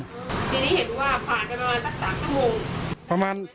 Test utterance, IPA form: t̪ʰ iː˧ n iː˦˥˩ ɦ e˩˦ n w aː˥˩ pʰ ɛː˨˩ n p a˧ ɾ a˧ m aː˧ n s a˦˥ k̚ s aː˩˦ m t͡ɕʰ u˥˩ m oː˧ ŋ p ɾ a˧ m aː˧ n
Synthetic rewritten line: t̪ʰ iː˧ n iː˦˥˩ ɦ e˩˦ n w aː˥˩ pʰ aː˨˩ n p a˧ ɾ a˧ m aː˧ n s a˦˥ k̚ s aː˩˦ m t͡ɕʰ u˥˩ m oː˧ ŋ p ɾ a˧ m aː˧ n